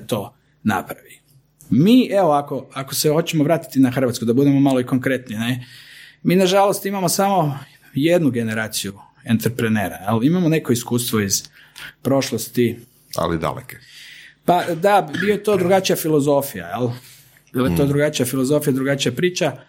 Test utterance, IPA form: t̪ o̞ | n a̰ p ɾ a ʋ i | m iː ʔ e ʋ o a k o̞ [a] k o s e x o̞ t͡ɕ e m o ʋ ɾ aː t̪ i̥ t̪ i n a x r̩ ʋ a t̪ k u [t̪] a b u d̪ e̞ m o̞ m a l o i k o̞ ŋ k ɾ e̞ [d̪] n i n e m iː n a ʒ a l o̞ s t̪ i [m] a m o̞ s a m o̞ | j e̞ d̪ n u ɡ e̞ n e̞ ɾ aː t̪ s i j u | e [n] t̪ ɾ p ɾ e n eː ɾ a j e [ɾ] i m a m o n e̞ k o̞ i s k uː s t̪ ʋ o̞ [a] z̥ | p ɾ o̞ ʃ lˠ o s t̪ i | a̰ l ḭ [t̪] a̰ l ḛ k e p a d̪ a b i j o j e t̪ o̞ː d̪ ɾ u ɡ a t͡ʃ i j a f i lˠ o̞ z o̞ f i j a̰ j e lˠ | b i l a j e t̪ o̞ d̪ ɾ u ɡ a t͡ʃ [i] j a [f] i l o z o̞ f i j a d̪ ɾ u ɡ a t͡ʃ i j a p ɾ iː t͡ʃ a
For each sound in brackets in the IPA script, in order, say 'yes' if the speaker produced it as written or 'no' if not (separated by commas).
yes, no, no, yes, yes, no, no, no, yes, yes